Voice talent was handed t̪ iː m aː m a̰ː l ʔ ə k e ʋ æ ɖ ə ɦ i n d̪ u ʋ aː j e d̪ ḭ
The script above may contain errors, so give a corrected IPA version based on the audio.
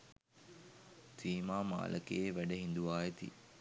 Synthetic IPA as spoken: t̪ iː m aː m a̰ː l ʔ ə k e ʋ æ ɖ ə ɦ i n d̪ u ʋ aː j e t̪ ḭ